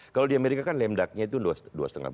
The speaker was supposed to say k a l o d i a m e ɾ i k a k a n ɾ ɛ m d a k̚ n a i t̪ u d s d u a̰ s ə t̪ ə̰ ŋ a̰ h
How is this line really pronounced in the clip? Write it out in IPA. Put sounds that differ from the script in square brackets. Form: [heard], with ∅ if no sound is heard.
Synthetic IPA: k a l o d i a m e ɾ i k a k a n [l] ɛ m d a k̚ [ɲ] a i t̪ u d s d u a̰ s ə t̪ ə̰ ŋ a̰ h